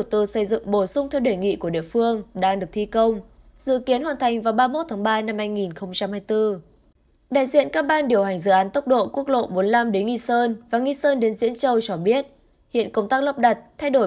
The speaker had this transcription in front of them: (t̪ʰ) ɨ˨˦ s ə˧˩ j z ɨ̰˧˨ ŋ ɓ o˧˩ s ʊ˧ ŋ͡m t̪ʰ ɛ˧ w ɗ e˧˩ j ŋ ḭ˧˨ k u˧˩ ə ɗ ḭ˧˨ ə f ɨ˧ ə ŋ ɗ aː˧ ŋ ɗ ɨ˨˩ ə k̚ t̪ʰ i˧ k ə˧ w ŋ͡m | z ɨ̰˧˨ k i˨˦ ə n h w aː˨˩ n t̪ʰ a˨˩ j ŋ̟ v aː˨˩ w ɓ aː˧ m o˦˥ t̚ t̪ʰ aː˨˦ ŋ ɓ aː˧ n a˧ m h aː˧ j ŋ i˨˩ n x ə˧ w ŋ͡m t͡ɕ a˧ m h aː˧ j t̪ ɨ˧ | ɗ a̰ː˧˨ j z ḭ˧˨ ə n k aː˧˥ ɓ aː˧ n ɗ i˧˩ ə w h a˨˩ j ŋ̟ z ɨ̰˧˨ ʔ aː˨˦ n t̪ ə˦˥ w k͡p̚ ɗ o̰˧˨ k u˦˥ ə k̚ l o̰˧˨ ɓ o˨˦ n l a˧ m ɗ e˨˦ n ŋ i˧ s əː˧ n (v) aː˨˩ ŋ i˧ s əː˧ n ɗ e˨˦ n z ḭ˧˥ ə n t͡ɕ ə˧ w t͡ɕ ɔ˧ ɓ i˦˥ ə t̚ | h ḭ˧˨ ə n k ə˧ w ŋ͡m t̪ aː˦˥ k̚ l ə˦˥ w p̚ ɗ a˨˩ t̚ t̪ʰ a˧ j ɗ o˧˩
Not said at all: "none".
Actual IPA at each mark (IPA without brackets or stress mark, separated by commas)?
t̪, v